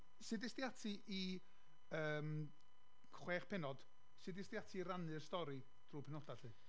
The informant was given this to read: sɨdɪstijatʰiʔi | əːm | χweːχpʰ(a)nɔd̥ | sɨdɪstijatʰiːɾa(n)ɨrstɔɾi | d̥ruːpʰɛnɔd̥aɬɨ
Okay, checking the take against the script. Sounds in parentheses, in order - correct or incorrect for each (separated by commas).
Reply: incorrect, correct